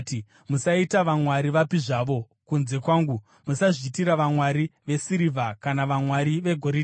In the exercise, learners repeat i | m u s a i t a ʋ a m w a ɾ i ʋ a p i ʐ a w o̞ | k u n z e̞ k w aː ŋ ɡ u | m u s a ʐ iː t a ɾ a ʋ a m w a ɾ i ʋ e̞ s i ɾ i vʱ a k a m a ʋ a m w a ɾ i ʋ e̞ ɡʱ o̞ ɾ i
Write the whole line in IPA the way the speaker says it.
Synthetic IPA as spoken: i | m u s a i t a ʋ a m w a ɾ i ʋ a p i ʐ a ʋ o̞ | k u n z e̞ k w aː ŋ ɡ u | m u s a ʐ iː t i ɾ a ʋ a m w a ɾ i ʋ e̞ s i ɾ i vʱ a k a n a ʋ a m w a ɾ i ʋ e̞ ɡʱ o̞ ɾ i